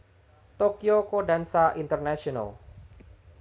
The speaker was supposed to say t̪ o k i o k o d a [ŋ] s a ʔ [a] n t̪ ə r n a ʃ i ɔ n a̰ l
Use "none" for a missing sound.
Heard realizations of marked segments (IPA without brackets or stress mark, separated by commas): n, i